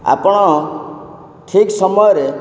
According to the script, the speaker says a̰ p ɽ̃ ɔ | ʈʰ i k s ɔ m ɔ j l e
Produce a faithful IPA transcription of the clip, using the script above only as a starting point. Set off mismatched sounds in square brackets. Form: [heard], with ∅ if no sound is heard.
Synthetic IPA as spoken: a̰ p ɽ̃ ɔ | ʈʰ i k s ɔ m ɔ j [ɾ] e